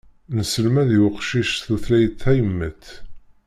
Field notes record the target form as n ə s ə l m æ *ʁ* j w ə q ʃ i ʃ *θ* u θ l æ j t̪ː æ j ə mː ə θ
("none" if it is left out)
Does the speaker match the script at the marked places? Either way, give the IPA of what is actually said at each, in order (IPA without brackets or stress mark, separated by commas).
ð, θ